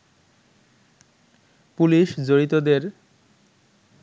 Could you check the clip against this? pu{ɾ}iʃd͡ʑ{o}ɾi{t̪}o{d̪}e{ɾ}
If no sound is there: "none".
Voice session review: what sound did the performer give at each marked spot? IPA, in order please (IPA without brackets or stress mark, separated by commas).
l, o, t̪, d̪, ɾ